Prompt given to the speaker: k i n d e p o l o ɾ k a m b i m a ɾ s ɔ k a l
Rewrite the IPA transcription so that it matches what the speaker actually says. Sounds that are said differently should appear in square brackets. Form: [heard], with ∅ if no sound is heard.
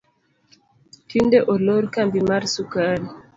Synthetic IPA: [t] i n d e [ʔ] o l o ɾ k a m b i m a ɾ s [u] k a l